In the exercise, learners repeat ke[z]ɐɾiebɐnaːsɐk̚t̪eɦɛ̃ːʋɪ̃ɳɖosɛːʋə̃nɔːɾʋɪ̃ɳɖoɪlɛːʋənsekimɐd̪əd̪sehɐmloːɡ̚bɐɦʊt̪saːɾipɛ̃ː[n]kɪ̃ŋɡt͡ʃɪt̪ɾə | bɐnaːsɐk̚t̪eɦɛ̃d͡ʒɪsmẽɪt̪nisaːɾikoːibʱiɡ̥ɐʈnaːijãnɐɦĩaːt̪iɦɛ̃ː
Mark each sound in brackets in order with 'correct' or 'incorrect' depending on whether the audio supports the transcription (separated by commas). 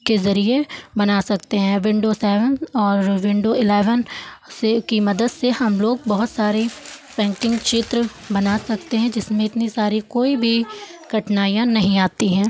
correct, incorrect